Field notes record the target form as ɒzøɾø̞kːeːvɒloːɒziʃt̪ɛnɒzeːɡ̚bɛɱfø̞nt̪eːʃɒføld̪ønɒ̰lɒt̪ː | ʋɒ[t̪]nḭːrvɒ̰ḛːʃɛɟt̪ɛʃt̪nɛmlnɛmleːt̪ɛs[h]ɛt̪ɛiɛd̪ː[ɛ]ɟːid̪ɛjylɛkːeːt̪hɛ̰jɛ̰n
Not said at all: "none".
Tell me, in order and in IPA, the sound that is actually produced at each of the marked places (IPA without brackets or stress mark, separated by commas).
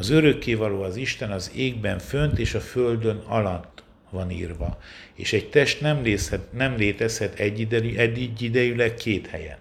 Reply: none, h, i